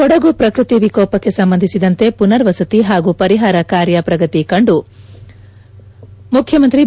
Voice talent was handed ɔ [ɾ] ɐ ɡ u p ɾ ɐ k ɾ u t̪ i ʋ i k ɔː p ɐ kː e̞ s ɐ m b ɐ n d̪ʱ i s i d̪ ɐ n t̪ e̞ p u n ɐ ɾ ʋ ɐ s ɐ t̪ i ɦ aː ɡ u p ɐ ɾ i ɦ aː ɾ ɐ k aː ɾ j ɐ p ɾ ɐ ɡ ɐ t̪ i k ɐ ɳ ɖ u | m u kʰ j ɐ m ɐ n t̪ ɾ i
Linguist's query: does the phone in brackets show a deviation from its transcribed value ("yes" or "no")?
yes